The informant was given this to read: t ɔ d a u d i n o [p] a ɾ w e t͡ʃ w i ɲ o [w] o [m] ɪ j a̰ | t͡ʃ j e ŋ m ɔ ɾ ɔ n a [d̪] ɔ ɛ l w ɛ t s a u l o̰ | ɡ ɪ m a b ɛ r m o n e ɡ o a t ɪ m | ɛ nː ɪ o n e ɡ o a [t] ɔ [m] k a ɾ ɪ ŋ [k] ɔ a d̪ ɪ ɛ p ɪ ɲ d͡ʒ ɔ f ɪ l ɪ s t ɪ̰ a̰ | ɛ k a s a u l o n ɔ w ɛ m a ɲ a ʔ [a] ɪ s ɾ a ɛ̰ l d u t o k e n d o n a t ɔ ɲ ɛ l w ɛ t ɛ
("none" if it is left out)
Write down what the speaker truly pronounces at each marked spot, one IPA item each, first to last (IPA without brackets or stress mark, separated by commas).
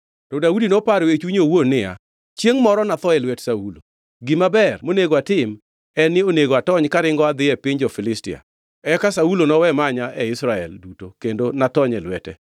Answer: p, w, n, t̪, t, ɲ, ɡ, ɛ